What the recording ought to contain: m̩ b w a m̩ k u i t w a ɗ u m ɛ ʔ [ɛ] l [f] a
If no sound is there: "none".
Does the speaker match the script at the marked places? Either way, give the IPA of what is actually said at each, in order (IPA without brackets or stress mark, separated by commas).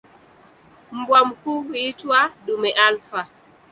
a, f